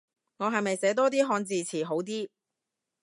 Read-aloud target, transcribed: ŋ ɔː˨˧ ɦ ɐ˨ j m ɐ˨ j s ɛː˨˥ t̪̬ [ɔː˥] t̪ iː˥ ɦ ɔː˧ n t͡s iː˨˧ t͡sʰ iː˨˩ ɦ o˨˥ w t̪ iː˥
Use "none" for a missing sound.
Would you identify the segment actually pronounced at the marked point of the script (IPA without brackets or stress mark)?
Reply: ɔː˥